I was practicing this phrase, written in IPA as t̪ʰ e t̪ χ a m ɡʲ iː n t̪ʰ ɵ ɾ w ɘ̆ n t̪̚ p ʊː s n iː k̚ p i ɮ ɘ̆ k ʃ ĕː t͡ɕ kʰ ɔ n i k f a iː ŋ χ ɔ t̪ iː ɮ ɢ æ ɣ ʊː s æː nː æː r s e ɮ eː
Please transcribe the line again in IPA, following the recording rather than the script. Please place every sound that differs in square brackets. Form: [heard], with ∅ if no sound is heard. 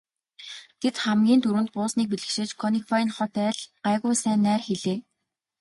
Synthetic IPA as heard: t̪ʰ e t̪ χ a m ɡʲ iː n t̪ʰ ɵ ɾ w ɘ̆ n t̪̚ p ʊː s n iː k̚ p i ɮ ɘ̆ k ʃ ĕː t͡ɕ kʰ ɔ n i k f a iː [n] χ ɔ t̪ [æː] ɮ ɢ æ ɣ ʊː s æː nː æː r [x] e ɮ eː